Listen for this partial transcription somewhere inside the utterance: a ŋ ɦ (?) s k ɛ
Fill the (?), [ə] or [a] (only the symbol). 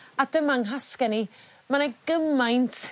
a